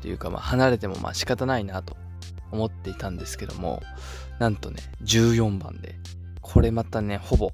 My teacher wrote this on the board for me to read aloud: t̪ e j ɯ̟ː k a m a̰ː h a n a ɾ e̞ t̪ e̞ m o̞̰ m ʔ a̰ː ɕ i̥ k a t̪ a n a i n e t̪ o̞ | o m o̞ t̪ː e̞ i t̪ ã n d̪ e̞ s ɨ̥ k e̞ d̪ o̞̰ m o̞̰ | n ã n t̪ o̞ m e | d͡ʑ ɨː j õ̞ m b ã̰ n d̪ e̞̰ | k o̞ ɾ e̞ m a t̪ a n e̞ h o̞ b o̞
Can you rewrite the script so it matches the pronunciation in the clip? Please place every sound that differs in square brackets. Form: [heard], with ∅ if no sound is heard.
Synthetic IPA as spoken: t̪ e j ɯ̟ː k a m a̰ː h a n a ɾ e̞ t̪ e̞ m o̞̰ m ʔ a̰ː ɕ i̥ k a t̪ a n a i n [a] t̪ o̞ | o m o̞ t̪ː e̞ i t̪ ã n d̪ e̞ s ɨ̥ k e̞ d̪ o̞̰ m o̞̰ | n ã n t̪ o̞ [n] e | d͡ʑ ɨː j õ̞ m b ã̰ n d̪ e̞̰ | [kʰ] o̞ ɾ e̞ m a t̪ a n e̞ h o̞ b o̞